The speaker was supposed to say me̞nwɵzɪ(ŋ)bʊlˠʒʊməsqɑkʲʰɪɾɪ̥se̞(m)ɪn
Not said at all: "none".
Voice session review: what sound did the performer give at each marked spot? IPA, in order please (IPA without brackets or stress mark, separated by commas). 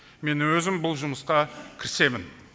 m, m